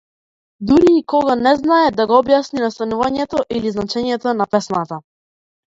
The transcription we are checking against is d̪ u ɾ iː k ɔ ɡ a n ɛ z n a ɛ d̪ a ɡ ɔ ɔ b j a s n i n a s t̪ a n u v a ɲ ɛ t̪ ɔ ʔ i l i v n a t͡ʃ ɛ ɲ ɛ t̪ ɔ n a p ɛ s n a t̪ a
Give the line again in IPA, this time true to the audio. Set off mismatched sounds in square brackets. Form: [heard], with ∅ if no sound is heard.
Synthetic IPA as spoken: d̪ u ɾ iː k ɔ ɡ a n ɛ z n a ɛ d̪ a ɡ ɔ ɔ b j a s n i n a s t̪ a n u v a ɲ ɛ t̪ ɔ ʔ i l i [z] n a t͡ʃ ɛ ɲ ɛ t̪ ɔ n a p ɛ s n a t̪ a